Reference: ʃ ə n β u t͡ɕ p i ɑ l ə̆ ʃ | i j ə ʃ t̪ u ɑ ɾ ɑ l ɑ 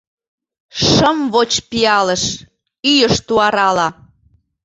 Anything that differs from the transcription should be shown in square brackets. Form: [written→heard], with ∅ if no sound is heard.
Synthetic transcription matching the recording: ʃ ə [n→m] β [u→o] t͡ɕ p i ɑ l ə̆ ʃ | [i→y] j ə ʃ t̪ u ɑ ɾ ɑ l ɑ